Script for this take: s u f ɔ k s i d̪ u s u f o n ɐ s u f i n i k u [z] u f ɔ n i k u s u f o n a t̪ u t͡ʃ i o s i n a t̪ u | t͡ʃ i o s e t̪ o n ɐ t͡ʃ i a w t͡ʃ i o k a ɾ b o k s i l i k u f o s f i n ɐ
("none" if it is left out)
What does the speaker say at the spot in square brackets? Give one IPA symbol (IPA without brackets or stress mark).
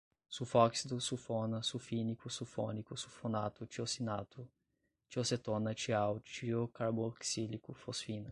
s